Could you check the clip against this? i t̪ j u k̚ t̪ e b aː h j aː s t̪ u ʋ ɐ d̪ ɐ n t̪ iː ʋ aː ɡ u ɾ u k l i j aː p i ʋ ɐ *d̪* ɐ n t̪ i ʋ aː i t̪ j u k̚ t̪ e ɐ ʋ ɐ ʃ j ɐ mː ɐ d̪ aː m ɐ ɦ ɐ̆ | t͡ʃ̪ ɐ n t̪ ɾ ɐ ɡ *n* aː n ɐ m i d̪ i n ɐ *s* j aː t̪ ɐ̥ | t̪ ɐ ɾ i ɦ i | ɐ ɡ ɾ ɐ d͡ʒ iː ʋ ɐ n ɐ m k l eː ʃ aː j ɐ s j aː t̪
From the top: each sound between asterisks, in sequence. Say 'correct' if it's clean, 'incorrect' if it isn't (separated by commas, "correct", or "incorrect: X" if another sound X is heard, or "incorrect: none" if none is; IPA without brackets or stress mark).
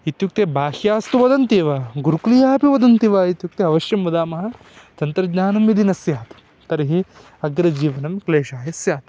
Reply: correct, incorrect: ɲ, correct